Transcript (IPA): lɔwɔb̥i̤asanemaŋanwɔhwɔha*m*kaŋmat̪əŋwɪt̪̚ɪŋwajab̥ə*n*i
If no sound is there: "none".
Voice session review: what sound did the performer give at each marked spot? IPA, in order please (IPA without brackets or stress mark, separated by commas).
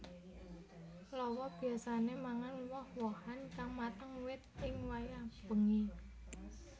n, ŋ